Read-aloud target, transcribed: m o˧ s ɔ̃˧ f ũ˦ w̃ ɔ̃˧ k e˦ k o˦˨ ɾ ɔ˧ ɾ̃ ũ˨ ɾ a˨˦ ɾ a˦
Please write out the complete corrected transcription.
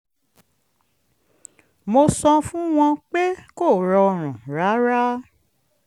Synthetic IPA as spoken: m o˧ s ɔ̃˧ f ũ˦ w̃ ɔ̃˧ k͡p e˦ k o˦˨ ɾ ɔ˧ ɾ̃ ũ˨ ɾ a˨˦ ɾ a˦